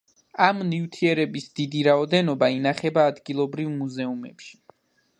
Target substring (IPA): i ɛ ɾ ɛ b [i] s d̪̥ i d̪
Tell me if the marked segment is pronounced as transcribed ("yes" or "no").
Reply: yes